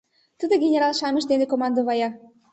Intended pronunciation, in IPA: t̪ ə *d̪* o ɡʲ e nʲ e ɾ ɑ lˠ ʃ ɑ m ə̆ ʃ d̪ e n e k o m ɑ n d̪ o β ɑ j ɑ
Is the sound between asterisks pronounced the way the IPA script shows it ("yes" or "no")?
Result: yes